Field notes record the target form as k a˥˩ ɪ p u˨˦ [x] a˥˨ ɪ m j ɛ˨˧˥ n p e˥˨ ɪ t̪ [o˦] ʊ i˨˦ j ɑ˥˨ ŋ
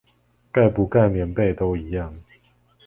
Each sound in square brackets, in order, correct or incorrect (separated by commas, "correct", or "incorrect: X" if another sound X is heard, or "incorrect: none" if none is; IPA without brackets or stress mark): incorrect: k, correct